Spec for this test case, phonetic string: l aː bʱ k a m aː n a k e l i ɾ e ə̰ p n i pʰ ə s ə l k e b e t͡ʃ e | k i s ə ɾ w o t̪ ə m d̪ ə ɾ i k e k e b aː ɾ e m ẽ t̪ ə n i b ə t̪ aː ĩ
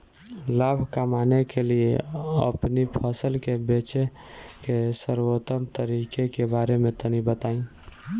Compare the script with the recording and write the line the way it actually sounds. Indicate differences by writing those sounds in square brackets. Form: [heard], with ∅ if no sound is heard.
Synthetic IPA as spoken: l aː bʱ k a m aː n [e] k e l i [∅] e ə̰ p n i pʰ ə s ə l k e b e t͡ʃ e | k [e] s ə ɾ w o t̪ ə m [t̪] ə ɾ i k e k e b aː ɾ e m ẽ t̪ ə n i b ə t̪ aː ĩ